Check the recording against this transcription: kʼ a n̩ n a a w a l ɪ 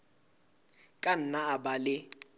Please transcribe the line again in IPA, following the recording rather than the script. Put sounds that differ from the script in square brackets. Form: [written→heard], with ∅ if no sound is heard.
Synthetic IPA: kʼ a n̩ n a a [w→b] a l ɪ